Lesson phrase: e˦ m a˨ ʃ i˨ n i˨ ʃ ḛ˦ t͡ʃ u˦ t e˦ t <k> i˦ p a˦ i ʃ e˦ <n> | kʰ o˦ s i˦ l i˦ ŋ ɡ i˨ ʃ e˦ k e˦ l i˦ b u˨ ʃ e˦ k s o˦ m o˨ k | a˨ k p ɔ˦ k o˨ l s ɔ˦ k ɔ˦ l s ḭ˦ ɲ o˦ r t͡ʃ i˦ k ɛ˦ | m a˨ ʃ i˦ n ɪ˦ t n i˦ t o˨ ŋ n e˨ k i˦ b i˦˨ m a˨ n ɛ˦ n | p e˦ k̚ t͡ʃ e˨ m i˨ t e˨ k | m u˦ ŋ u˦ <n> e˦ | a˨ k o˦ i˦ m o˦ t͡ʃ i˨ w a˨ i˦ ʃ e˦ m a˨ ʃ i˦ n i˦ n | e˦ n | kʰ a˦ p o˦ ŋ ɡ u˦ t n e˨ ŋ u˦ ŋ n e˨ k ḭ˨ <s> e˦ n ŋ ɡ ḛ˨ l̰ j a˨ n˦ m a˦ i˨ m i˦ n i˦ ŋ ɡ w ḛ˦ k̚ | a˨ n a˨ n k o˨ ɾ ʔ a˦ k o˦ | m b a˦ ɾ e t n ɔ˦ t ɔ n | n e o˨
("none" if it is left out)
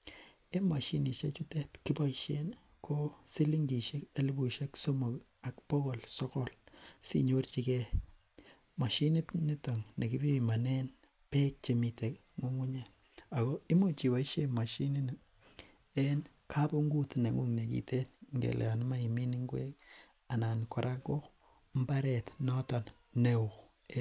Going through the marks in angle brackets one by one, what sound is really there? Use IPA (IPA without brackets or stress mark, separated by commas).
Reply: k, n, ɲ, t